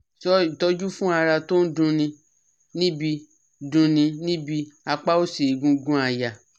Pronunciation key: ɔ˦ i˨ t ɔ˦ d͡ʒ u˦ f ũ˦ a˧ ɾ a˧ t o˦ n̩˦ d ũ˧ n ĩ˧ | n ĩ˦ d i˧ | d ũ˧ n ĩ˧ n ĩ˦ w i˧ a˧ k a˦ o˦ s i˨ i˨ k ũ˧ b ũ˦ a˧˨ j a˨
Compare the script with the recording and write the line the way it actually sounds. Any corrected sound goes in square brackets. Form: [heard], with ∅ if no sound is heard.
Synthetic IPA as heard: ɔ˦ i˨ t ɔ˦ d͡ʒ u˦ f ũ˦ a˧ ɾ a˧ t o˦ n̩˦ d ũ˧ n ĩ˧ | n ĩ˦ [b] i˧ | d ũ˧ n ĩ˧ n ĩ˦ [b] i˧ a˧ [k͡p] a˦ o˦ s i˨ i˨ [ɡ] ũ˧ [ɡ] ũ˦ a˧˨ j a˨